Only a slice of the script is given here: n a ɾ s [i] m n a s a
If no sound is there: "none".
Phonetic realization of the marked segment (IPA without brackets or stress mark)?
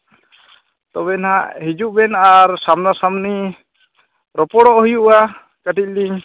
a